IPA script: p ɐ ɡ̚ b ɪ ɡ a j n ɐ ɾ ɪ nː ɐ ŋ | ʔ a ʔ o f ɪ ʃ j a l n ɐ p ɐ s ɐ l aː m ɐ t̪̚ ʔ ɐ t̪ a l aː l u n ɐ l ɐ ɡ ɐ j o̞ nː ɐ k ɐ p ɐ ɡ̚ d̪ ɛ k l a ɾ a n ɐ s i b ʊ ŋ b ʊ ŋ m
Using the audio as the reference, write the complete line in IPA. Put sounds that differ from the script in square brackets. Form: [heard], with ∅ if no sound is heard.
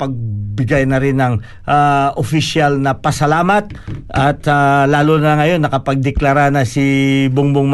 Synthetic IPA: p ɐ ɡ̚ b ɪ ɡ a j n ɐ ɾ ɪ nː ɐ ŋ | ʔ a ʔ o f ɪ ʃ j a l n ɐ p ɐ s ɐ l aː m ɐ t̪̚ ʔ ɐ t̪ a l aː l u n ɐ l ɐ [ŋ] ɐ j o̞ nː ɐ k ɐ p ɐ ɡ̚ d̪ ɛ k l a ɾ a n ɐ s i b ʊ ŋ b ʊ ŋ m